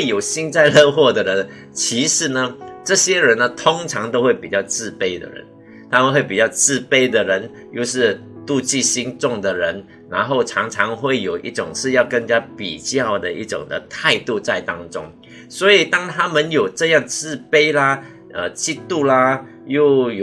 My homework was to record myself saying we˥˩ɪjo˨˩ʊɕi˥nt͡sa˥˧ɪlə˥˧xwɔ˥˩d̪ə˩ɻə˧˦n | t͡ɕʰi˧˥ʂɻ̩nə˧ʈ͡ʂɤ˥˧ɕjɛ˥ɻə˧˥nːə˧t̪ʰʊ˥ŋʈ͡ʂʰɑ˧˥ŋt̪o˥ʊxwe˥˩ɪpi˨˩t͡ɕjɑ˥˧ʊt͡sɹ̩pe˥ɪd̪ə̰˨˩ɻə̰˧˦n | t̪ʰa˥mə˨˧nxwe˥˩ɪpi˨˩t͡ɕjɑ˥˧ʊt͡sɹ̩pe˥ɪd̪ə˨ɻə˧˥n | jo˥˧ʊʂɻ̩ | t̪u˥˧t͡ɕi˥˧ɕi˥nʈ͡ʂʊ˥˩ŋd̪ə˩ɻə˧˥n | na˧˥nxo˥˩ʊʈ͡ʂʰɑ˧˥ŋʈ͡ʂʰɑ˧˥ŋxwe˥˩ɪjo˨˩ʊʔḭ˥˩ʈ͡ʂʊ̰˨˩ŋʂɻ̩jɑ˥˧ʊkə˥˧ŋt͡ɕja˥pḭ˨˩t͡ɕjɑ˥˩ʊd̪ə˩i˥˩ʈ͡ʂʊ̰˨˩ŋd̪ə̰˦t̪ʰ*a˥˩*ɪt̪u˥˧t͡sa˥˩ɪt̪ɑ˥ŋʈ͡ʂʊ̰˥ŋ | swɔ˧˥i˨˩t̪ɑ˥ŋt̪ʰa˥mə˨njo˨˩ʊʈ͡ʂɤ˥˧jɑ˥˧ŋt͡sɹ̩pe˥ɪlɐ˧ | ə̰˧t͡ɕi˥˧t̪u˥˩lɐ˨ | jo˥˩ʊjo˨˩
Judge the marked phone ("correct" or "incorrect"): incorrect